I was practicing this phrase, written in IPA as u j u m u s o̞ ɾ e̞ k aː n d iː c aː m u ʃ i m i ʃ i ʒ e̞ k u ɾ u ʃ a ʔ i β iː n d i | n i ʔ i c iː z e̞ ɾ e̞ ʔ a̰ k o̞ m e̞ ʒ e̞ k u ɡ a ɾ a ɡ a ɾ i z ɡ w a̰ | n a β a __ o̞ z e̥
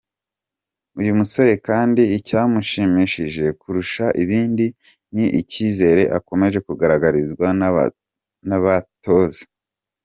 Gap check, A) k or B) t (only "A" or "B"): B